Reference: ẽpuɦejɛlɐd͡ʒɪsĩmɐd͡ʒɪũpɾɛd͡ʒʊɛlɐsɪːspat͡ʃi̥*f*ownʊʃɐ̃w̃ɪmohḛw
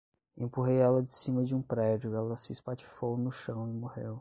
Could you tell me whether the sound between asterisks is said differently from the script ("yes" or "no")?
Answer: no